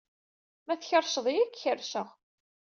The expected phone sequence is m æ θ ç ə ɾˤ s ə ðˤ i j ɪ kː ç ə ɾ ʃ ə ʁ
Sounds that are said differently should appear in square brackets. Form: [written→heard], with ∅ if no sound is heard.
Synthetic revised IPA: m æ θ ç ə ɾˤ [s→ʃ] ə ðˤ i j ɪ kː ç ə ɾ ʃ ə ʁ